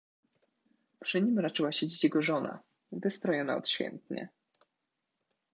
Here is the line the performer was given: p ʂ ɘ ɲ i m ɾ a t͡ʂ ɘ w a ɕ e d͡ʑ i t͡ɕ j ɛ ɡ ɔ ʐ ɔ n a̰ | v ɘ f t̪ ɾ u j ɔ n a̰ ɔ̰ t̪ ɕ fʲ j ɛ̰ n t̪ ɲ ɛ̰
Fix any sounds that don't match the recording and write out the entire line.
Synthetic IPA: p ʂ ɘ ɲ i m ɾ a t͡ʂ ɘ w a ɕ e d͡ʑ i t͡ɕ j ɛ ɡ ɔ ʐ ɔ n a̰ | v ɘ s t̪ ɾ ɔ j ɔ n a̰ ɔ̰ t̪ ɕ fʲ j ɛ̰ n t̪ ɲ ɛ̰